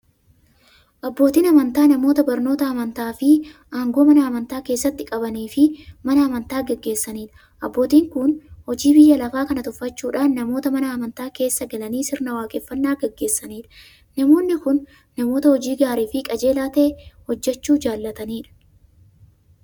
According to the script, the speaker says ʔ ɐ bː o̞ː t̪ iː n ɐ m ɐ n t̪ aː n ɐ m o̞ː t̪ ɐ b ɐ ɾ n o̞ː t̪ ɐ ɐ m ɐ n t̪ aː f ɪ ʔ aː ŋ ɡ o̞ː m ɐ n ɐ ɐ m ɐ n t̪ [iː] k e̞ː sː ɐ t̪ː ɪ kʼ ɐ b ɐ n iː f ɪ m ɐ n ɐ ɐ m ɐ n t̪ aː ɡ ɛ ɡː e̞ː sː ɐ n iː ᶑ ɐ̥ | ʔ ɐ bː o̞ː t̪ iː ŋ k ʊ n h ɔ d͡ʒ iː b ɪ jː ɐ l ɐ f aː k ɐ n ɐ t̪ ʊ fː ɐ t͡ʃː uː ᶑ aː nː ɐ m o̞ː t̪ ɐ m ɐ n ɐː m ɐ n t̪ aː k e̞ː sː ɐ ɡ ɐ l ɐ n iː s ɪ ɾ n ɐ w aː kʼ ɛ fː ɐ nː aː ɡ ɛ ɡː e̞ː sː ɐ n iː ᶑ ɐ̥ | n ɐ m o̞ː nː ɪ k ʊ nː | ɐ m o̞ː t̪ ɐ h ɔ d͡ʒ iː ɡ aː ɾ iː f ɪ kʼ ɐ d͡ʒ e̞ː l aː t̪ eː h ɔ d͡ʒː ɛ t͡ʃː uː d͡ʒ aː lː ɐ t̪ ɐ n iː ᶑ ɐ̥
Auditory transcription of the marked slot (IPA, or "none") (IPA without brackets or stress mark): aː